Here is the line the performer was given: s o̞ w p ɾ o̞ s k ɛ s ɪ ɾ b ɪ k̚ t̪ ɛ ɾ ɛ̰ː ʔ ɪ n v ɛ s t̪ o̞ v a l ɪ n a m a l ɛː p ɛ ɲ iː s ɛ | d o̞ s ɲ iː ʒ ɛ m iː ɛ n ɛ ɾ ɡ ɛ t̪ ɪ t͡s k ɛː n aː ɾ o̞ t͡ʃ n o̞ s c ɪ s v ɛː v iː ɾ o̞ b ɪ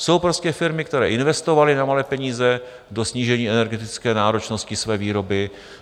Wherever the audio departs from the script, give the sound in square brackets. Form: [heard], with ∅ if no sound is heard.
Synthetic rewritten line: s o̞ w p ɾ o̞ s [c] ɛ [f] ɪ ɾ [m] ɪ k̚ t̪ ɛ ɾ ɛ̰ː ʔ ɪ n v ɛ s t̪ o̞ v a l ɪ n a m a l ɛː p ɛ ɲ iː [z] ɛ | d o̞ s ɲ iː ʒ ɛ [ɲ] iː ɛ n ɛ ɾ ɡ ɛ t̪ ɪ t͡s k ɛː n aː ɾ o̞ t͡ʃ n o̞ s c ɪ s v ɛː v iː ɾ o̞ b ɪ